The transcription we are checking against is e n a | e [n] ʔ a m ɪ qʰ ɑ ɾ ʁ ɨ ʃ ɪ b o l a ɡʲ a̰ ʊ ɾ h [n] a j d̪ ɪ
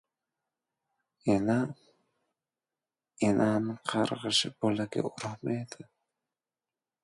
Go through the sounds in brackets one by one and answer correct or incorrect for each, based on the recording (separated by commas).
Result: correct, incorrect